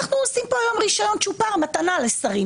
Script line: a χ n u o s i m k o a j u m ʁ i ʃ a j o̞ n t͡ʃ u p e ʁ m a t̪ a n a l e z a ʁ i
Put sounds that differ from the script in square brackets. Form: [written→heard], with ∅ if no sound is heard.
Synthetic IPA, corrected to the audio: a χ n u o s i m [k→p] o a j [u→o] m ʁ i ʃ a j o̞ n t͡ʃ u p [e→a] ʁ m a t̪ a n a l e [z→s] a ʁ i